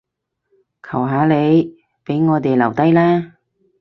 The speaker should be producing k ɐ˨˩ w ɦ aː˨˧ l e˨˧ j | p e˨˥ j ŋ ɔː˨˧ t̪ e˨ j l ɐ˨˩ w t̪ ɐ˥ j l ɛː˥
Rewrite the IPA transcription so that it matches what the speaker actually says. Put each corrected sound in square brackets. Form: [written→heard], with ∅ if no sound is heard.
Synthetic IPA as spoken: [k→kʰ] ɐ˨˩ w ɦ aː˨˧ l e˨˧ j | p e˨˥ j ŋ ɔː˨˧ t̪ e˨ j l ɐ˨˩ w t̪ ɐ˥ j l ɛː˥